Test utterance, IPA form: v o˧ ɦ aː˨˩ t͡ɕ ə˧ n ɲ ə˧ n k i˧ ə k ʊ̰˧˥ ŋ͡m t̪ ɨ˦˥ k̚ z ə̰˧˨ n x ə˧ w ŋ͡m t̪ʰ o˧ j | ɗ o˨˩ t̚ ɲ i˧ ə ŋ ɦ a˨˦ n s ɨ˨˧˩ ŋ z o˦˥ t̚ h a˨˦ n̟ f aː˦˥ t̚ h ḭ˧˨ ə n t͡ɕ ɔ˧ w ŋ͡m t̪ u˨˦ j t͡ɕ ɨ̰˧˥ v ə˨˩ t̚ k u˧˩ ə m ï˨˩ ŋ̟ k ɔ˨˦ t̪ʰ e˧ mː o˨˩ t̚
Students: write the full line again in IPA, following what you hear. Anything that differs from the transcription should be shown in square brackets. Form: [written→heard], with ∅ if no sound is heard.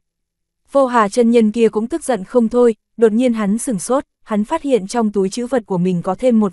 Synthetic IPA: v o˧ ɦ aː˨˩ t͡ɕ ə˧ n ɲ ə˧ n k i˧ ə k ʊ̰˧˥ ŋ͡m t̪ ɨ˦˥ k̚ z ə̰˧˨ n x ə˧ w ŋ͡m t̪ʰ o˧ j | ɗ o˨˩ t̚ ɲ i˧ ə [ŋ→n] ɦ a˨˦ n s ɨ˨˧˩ ŋ [z→s] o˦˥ t̚ h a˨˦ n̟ f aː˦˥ t̚ h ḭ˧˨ ə n t͡ɕ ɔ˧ w ŋ͡m t̪ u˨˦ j t͡ɕ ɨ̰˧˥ v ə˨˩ t̚ k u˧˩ ə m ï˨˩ ŋ̟ k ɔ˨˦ t̪ʰ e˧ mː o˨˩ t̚